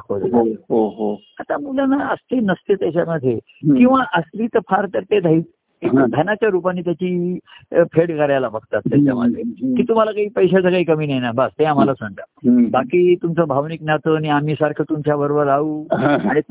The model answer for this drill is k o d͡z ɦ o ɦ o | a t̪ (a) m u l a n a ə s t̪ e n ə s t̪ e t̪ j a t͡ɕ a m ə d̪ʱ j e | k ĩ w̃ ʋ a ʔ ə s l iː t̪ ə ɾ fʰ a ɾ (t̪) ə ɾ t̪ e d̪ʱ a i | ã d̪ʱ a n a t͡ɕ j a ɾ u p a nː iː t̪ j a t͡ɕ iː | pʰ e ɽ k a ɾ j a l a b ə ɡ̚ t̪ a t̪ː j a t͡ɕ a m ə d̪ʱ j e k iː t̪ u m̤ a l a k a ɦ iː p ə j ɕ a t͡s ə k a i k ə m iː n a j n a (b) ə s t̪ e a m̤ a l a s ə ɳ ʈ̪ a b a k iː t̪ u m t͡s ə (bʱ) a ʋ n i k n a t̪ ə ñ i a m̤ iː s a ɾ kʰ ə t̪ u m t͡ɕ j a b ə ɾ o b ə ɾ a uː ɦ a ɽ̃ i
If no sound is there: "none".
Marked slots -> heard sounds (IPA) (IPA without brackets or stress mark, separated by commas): a, t̪, b, bʱ